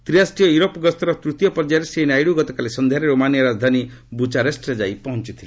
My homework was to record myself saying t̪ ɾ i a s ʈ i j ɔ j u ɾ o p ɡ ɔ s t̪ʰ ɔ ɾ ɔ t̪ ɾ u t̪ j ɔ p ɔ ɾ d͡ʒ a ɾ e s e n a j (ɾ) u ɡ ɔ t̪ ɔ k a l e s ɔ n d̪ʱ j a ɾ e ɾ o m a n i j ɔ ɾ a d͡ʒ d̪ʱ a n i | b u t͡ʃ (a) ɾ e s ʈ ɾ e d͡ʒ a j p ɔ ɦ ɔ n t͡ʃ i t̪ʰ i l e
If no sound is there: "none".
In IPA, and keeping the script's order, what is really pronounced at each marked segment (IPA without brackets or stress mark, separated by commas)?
ɽ, a